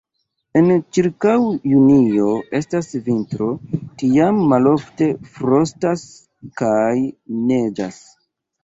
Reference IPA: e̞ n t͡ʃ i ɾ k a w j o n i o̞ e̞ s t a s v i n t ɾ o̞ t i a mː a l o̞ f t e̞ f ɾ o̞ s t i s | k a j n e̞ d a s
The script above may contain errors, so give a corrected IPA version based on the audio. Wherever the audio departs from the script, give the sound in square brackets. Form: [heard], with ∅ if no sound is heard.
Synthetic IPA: e̞ n t͡ʃ i ɾ k a w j [u] n i o̞ e̞ s t a s v i n t ɾ o̞ t i a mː a l o̞ f t e̞ f ɾ o̞ s t [a] s | k a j n e̞ [d͡ʒ] a s